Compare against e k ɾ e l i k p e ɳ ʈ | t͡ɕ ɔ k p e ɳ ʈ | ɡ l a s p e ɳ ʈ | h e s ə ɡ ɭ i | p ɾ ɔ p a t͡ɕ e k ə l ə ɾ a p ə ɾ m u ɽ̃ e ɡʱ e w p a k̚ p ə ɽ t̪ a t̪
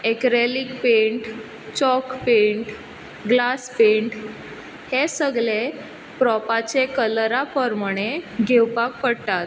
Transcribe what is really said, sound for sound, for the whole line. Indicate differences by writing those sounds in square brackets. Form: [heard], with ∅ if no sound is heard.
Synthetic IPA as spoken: e k ɾ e l i k p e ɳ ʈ | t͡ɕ ɔ k p e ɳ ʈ | ɡ l a s p e ɳ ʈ | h e s ə ɡ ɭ [e] | p ɾ ɔ p a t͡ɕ e k ə l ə ɾ a p ə ɾ m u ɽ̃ e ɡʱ e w p a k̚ p ə ɽ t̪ a t̪